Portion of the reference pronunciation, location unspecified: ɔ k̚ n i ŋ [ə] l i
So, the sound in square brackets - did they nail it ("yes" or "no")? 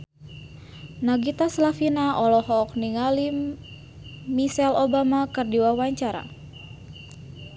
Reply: no